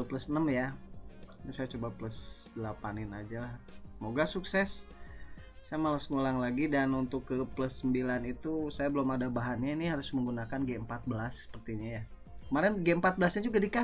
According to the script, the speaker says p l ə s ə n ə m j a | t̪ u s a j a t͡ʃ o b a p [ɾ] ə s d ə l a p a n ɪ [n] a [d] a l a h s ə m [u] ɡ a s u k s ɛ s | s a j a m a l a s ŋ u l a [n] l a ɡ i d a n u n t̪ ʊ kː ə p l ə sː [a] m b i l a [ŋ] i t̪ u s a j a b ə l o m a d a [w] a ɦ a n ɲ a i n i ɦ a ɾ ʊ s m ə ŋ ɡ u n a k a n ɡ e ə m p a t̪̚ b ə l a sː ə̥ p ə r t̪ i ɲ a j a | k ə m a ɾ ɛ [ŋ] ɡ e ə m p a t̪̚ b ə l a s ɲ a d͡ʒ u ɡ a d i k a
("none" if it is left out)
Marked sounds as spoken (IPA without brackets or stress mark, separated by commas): l, n, d͡ʒ, o, ŋ, ə, n, b, n